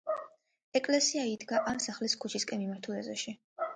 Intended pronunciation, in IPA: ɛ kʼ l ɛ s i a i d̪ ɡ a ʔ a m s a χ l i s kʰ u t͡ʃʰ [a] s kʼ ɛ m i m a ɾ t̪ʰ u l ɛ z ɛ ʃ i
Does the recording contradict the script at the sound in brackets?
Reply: yes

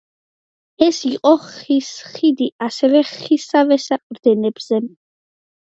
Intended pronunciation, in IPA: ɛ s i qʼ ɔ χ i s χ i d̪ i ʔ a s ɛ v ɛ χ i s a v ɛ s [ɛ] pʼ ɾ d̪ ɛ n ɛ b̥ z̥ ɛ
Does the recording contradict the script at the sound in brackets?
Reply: yes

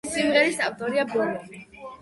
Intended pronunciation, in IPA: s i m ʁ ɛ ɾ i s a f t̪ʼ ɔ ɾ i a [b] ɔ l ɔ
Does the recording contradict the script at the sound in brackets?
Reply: no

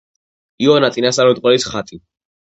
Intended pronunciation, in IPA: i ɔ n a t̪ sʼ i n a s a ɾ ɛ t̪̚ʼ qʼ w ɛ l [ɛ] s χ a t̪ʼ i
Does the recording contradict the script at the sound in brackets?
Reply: yes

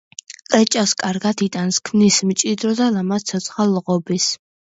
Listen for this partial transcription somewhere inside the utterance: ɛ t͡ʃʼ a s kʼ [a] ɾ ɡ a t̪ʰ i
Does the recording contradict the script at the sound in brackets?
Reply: no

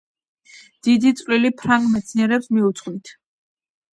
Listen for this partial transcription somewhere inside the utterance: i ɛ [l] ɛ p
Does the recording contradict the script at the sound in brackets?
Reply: yes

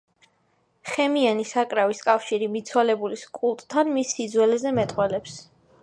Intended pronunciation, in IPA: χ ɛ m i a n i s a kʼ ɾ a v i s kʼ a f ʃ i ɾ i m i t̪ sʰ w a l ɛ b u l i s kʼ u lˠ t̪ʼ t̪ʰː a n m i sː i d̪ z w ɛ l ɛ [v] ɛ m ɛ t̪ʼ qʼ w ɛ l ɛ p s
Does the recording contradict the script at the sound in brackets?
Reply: yes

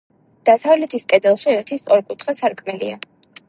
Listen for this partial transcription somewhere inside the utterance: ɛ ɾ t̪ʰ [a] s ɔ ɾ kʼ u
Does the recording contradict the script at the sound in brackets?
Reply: yes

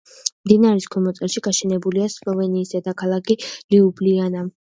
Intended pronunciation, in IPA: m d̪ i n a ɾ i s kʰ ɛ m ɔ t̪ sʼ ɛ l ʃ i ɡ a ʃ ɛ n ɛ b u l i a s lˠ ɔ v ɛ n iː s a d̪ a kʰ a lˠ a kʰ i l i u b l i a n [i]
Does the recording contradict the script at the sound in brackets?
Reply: yes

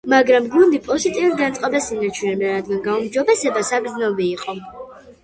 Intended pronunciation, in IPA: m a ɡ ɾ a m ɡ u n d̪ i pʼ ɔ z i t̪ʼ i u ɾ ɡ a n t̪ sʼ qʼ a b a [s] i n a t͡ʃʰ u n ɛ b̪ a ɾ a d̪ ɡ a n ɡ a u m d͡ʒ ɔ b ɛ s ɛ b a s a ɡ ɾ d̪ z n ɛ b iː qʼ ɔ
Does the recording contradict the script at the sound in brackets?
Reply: no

